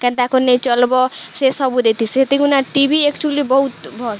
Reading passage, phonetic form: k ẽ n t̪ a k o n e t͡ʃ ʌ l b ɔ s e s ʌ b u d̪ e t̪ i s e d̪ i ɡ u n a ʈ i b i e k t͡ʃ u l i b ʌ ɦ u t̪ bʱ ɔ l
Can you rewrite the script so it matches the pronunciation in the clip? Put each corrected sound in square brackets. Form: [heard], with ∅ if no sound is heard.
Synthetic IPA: k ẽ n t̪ a k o n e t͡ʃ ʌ l b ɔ s e s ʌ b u d̪ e t̪ i s e [t̪] i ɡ u n a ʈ i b i e k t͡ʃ u l i b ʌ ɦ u t̪ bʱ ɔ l